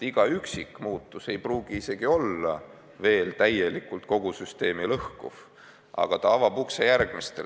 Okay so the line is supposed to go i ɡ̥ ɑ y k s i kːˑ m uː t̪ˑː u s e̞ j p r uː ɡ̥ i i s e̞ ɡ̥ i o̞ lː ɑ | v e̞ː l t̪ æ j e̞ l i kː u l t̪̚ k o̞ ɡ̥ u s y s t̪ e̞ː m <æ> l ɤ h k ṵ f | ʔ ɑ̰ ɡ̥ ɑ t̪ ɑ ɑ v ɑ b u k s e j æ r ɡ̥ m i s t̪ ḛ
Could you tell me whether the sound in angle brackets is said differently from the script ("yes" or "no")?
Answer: yes